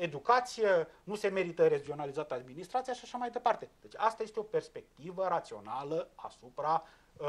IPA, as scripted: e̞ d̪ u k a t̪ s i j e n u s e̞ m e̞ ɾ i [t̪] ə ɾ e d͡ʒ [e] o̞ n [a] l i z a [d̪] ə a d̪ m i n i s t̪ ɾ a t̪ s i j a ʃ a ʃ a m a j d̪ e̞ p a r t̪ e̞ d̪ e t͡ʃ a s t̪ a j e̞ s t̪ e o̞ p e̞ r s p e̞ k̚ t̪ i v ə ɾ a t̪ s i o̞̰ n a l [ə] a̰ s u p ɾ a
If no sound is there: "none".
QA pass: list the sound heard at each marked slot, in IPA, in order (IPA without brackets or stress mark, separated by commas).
t̪, i, a, t̪, ə